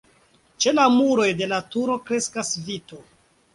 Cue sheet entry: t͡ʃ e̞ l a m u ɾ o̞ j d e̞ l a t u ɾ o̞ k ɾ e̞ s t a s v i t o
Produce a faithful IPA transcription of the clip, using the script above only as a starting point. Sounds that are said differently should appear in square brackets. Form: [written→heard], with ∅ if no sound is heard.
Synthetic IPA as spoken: t͡ʃ e̞ l a m u ɾ o̞ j d e̞ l a t u ɾ o̞ k ɾ e̞ s [t→k] a s v i t o